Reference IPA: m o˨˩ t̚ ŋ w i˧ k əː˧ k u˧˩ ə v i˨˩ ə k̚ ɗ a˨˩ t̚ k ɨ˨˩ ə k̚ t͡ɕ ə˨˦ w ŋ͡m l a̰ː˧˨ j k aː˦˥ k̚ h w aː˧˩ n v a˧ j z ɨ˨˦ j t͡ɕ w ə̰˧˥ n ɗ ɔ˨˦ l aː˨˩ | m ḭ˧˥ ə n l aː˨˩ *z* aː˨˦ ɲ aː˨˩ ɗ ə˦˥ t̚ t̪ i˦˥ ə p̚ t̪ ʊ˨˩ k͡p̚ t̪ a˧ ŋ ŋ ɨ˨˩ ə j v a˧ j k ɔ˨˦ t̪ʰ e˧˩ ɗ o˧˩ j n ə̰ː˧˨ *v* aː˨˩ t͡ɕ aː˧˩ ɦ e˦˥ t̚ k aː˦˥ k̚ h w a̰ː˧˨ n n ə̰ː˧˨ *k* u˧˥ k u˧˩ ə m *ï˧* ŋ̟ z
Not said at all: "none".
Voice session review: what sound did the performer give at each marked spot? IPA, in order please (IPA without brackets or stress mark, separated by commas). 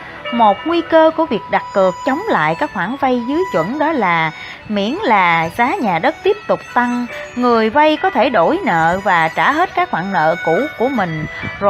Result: z, v, k, ï˨˩